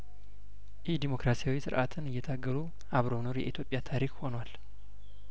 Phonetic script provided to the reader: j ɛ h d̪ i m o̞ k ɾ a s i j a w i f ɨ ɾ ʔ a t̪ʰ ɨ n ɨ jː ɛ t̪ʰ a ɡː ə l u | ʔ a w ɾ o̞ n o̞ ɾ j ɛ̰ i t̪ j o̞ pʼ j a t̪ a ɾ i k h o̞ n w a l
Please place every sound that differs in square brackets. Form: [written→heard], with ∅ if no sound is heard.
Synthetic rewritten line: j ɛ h d̪ i m o̞ k ɾ a s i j a w i [f→s] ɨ ɾ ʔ a t̪ʰ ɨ n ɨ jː ɛ t̪ʰ a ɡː ə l u | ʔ a [w→β] ɾ o̞ n o̞ ɾ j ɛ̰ i t̪ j o̞ pʼ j a [t̪→t̪ʰ] a ɾ i k h o̞ n w a l